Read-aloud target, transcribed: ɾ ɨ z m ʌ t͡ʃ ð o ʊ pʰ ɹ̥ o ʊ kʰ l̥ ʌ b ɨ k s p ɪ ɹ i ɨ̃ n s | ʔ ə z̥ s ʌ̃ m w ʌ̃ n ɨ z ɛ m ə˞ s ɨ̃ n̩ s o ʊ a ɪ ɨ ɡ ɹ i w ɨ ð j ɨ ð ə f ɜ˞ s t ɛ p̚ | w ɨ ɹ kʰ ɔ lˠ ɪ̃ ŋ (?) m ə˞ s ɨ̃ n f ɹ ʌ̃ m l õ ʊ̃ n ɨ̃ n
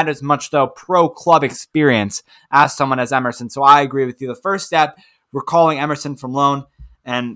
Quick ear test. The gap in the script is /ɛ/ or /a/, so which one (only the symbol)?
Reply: ɛ